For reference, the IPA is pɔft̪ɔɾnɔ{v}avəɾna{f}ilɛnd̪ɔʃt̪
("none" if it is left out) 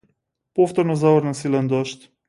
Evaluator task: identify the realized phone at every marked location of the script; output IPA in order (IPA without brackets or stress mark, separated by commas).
z, s